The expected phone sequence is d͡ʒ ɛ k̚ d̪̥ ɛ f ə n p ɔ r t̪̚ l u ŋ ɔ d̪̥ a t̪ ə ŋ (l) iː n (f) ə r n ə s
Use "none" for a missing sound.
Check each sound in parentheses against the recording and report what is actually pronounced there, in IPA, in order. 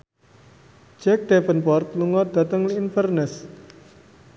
l, f

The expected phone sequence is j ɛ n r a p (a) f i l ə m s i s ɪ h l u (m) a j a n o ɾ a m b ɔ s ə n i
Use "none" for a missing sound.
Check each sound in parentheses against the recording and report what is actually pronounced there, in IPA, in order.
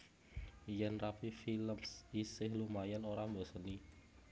i, m

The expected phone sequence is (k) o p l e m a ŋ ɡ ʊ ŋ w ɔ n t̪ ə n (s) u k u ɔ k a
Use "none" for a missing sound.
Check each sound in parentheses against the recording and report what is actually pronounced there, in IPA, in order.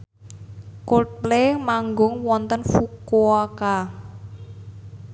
k, f

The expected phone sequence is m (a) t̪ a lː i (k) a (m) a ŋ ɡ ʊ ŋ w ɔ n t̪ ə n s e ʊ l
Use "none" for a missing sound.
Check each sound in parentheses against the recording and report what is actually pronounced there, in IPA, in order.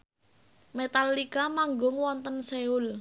e, k, m

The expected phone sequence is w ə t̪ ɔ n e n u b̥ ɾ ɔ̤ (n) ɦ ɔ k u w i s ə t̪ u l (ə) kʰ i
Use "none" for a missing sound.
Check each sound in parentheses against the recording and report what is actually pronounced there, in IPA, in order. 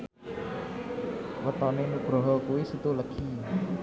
none, ə

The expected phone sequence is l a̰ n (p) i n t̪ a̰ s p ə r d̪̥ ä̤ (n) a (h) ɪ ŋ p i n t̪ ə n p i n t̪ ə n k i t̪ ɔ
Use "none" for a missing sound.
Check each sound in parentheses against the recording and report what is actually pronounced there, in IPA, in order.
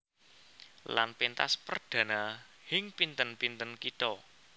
p, n, h

